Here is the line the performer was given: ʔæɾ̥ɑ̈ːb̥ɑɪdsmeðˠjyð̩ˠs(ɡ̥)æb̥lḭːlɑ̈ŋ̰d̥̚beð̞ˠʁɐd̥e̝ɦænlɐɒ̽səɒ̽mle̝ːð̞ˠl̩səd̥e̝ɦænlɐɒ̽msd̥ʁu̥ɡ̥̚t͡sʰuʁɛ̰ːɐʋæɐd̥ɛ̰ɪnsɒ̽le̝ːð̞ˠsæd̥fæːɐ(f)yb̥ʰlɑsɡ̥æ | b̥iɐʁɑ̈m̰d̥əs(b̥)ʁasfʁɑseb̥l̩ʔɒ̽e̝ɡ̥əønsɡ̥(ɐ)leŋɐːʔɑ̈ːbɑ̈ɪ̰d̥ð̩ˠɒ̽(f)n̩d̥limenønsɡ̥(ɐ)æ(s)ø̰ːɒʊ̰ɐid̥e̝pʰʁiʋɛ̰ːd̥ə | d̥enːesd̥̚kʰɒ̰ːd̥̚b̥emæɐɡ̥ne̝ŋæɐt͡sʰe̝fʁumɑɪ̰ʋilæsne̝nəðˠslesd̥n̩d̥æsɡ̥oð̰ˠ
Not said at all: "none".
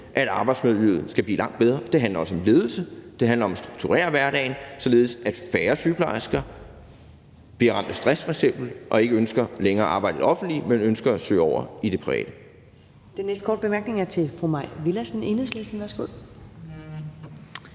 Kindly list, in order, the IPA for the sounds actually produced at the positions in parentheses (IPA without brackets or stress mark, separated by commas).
ɡ̥, s, d̥, ɐ, f, ɐ, s